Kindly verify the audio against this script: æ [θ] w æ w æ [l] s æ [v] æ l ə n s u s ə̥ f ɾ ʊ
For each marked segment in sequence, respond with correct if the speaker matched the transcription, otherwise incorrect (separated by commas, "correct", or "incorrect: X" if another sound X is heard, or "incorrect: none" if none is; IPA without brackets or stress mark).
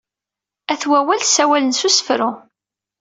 correct, correct, incorrect: w